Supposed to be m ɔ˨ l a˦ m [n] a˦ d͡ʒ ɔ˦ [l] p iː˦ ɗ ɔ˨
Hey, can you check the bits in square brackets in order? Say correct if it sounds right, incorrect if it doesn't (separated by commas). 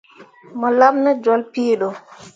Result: correct, correct